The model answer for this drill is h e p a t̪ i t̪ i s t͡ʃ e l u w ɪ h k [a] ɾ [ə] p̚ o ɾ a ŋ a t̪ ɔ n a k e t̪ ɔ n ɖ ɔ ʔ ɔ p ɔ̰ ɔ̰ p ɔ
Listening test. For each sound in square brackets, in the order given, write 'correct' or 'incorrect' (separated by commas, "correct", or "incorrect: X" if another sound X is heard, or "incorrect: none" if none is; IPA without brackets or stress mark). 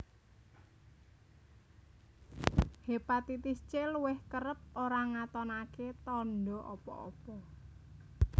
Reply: incorrect: ə, correct